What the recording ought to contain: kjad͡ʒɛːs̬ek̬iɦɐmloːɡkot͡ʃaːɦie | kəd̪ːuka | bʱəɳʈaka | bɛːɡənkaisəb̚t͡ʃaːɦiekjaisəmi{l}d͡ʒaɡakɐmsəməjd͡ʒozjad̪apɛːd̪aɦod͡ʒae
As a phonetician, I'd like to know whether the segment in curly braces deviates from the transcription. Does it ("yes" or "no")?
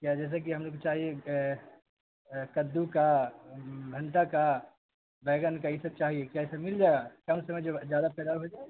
no